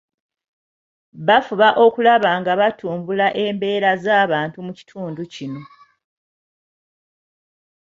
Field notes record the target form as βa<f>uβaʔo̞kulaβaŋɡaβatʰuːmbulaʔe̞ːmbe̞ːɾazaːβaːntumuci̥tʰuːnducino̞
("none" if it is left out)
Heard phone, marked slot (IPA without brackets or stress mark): f